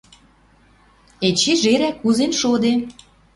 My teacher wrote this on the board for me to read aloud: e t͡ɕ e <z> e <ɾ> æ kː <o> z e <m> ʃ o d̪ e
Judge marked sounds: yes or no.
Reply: no, yes, no, no

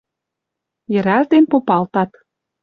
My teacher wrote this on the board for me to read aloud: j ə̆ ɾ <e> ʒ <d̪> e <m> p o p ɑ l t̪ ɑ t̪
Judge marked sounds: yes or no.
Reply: no, yes, no

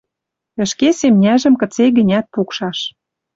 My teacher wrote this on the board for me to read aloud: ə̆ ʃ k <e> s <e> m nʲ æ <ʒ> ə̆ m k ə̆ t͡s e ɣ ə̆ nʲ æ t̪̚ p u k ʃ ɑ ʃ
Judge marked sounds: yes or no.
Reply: yes, yes, yes

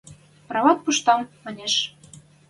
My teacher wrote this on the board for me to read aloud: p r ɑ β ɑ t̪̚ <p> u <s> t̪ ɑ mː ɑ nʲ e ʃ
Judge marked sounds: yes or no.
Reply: yes, no

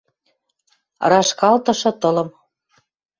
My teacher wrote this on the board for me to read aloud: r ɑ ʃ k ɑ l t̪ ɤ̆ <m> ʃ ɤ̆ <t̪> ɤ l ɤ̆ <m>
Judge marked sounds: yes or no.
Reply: no, yes, yes

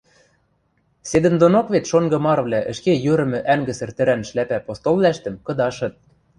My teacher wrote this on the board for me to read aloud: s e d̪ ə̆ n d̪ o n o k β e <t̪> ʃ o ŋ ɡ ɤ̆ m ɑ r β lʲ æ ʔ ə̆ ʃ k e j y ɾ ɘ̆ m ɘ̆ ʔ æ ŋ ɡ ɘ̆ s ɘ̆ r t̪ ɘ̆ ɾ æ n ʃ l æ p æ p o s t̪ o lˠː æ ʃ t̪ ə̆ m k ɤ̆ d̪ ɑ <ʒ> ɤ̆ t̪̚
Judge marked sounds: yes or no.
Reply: yes, no

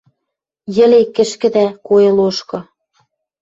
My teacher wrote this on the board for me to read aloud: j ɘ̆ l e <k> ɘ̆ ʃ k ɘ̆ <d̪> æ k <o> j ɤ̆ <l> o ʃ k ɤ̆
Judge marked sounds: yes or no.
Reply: yes, yes, yes, yes

